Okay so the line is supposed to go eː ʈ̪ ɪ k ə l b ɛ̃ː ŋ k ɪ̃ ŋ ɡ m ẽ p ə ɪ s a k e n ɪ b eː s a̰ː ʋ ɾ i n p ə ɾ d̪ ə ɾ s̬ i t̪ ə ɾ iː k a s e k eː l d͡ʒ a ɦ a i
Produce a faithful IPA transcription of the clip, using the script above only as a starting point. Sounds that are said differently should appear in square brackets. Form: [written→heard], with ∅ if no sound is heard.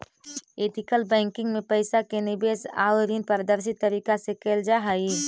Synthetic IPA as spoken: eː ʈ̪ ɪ k ə l b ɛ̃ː ŋ k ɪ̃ ŋ ɡ m ẽ p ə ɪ s a k e n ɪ b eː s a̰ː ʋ ɾ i n p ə ɾ d̪ ə ɾ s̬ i t̪ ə ɾ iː k a s e k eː l d͡ʒ a ɦ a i